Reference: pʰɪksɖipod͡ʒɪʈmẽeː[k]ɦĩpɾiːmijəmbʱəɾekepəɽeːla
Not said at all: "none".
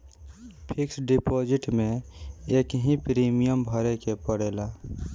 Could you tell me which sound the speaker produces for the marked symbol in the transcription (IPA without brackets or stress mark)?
k